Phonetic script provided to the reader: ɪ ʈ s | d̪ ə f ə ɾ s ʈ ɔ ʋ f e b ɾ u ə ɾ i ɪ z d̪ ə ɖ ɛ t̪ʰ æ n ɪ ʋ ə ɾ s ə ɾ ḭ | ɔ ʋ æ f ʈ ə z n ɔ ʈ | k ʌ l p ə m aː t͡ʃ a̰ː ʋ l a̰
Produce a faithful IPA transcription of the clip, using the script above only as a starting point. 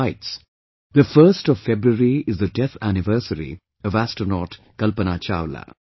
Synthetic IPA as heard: ɪ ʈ s | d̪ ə f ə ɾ s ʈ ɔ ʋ f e b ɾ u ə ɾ i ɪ z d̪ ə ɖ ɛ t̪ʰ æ n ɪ ʋ ə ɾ s ə ɾ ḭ | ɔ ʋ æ s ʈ ə n ɔ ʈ | k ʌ l p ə n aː t͡ʃ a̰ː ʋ l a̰